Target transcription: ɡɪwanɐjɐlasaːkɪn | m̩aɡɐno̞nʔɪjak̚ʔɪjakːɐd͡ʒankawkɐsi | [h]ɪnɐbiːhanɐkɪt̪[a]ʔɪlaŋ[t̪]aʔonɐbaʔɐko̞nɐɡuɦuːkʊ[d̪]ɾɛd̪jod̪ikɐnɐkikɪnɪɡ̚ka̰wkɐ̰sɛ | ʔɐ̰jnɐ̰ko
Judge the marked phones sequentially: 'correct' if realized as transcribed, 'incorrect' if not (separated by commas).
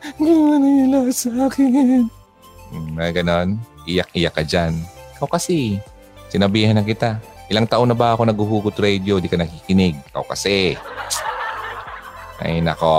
incorrect, correct, correct, incorrect